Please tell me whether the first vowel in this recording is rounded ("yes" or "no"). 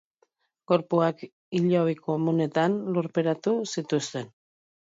yes